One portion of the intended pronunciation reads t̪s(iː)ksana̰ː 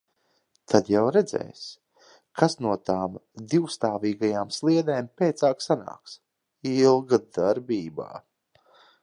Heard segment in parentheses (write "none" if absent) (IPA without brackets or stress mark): aː